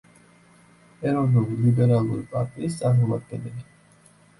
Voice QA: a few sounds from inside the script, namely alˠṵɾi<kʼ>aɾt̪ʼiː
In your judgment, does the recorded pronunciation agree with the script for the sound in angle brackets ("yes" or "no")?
no